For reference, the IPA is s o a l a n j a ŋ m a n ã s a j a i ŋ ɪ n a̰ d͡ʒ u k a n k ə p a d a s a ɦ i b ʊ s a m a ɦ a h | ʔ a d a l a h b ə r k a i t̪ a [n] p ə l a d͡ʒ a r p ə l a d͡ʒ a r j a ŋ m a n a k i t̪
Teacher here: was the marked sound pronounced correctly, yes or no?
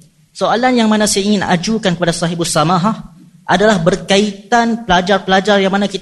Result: yes